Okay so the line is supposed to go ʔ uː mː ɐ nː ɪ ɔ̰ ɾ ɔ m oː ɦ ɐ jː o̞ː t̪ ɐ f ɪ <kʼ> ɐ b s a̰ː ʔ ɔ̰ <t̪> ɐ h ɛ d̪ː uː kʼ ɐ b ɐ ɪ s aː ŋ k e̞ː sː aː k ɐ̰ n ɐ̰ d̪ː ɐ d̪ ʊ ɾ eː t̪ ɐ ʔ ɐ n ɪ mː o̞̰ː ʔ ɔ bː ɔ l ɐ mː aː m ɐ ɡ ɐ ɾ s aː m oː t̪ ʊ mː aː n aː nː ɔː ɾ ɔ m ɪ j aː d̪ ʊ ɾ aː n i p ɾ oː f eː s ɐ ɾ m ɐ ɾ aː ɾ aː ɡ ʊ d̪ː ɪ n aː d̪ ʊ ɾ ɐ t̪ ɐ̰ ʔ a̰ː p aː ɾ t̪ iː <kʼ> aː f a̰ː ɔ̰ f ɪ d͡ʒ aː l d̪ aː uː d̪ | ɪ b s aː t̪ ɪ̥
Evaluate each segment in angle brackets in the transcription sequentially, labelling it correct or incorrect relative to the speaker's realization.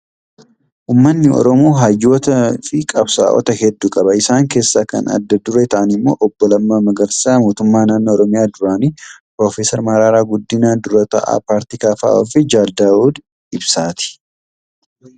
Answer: correct, correct, incorrect: k

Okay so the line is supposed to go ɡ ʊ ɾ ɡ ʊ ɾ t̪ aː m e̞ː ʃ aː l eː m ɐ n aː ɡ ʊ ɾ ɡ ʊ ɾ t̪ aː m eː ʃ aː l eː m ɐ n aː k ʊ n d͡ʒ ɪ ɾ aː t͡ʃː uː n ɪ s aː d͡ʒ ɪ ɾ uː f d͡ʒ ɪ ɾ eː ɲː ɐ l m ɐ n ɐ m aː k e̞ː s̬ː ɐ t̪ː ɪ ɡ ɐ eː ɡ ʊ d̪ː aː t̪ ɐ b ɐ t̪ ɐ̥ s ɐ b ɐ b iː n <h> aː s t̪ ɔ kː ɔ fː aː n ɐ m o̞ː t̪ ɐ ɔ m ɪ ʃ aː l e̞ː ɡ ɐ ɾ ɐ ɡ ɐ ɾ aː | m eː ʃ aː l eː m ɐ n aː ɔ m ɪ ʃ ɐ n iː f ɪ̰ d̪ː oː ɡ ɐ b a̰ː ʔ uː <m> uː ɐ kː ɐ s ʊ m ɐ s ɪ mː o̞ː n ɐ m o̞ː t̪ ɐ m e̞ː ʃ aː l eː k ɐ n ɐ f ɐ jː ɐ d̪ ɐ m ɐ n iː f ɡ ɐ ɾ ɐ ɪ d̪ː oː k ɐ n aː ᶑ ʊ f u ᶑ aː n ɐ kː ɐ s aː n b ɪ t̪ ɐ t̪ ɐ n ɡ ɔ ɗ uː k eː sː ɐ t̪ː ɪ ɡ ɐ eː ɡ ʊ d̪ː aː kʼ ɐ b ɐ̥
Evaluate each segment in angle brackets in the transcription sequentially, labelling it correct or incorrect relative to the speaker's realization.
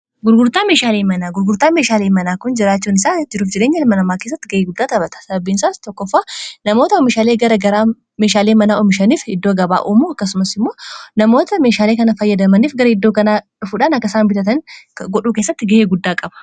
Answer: incorrect: s, correct

